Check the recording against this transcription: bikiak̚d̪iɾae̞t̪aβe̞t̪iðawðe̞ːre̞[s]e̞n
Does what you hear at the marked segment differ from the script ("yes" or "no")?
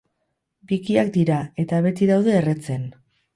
yes